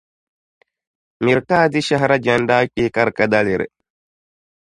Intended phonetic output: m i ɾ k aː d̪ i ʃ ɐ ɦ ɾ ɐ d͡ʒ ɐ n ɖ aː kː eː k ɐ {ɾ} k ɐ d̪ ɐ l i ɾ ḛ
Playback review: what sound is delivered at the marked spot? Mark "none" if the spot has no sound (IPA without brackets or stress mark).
ɾ